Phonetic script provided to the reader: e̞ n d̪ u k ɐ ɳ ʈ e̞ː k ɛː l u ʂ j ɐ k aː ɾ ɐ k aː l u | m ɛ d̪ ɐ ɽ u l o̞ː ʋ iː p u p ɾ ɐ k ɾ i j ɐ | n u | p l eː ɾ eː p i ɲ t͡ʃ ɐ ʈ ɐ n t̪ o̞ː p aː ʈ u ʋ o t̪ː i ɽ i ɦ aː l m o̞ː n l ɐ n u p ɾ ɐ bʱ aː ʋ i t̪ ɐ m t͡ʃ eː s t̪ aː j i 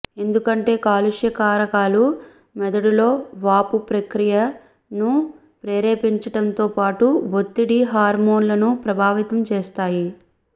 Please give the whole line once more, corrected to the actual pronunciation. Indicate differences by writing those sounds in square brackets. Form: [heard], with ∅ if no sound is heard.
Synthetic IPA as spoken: e̞ n d̪ u k ɐ ɳ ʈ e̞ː k [aː] l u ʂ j ɐ k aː ɾ ɐ k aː l u | m ɛ d̪ ɐ ɽ u l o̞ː ʋ [aː] p u p ɾ ɐ k ɾ i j ɐ | n u | p [ɾ] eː ɾ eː p i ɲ t͡ʃ ɐ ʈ ɐ n t̪ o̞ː p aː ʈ u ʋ o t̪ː i ɽ i ɦ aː [ɾ] m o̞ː n l ɐ n u p ɾ ɐ bʱ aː ʋ i t̪ ɐ m t͡ʃ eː s t̪ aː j i